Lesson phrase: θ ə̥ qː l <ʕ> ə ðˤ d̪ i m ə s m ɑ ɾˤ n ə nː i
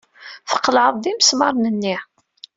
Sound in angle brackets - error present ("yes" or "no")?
no